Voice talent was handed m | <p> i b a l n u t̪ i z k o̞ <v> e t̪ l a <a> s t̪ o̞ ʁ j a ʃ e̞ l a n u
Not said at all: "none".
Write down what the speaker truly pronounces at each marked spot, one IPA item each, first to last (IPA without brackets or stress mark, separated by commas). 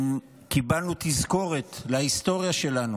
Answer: k, ʁ, i